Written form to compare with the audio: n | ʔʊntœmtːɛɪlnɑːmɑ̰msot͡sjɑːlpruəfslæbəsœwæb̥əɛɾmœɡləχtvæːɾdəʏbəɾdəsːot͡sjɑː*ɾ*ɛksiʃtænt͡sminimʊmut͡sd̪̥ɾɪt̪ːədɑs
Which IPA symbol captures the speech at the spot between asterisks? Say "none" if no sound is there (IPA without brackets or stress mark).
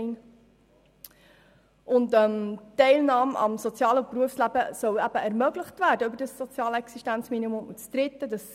l